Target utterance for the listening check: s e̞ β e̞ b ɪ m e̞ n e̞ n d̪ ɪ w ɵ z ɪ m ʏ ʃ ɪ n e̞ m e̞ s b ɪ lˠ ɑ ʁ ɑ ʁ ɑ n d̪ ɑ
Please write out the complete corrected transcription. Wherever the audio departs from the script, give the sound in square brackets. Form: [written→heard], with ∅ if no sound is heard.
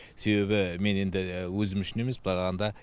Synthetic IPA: s e̞ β e̞ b ɪ m e̞ n e̞ n d̪ ɪ w ɵ z ɪ m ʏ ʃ ɪ n e̞ m e̞ s b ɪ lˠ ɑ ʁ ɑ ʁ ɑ n d̪ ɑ